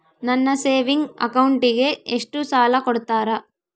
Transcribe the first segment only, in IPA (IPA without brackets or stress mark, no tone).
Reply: n